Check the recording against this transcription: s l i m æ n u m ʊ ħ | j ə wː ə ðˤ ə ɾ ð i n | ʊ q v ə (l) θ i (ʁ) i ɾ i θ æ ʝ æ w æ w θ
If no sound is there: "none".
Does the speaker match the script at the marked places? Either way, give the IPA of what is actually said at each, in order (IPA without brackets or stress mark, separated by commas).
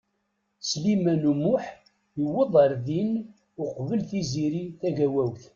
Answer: l, z